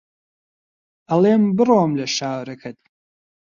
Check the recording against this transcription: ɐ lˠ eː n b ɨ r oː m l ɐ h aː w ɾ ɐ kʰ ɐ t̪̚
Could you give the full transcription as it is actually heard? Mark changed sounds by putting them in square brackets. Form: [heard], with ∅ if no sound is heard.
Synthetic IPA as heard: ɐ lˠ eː [m] b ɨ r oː m l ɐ [ʃ] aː w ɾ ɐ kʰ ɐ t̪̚